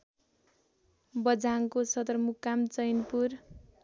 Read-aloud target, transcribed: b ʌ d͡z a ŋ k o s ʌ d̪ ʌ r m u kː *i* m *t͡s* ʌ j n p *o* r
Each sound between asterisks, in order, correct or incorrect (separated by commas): incorrect, correct, incorrect